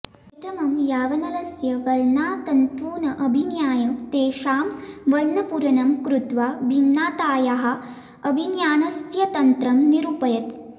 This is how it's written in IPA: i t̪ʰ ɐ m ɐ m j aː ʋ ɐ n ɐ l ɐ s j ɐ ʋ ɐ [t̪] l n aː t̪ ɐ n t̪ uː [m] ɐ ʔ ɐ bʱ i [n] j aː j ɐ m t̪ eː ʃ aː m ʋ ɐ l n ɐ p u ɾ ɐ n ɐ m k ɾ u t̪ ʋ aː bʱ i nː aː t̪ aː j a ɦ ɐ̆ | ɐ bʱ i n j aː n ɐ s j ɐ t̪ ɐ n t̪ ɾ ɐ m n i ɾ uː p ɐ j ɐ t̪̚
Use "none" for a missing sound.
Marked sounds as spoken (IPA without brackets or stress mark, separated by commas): none, n, n